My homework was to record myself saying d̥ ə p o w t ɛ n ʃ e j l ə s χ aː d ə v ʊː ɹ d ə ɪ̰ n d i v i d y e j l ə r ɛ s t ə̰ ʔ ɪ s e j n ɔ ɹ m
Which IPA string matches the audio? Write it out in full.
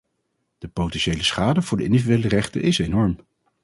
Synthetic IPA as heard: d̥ ə p o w t ɛ n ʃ e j l ə s χ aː d ə v ʊː ɹ d ə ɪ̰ n d i v i d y e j l ə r ɛ χ t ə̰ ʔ ɪ s e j n ɔ ɹ m